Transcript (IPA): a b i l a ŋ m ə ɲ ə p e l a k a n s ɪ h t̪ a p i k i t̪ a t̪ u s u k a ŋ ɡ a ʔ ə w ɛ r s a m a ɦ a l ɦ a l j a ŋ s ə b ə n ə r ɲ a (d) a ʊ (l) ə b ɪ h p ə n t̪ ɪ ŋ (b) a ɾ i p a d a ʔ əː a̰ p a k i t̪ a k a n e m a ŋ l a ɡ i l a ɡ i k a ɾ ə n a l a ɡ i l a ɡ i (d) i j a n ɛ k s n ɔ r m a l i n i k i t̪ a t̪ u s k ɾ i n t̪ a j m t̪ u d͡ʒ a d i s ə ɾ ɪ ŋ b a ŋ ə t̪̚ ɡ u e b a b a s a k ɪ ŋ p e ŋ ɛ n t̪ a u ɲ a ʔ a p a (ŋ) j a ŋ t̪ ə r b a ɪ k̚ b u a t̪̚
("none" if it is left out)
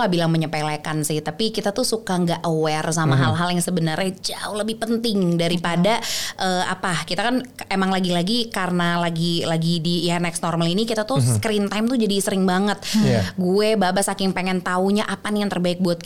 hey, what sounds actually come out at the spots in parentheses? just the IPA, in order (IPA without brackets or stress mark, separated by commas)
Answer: d͡ʒ, l, d, d, n